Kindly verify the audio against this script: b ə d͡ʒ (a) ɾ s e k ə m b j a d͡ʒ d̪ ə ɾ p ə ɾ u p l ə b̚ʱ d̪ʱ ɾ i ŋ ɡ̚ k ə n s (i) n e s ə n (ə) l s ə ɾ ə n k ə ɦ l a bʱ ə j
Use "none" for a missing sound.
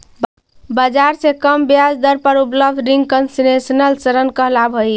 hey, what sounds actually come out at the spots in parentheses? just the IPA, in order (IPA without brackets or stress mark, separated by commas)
a, i, ə